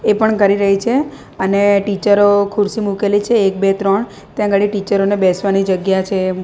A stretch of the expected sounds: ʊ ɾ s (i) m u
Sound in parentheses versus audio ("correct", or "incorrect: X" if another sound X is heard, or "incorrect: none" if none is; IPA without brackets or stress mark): correct